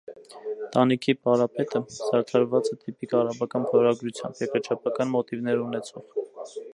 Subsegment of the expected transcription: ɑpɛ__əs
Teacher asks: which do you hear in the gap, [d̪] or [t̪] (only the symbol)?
t̪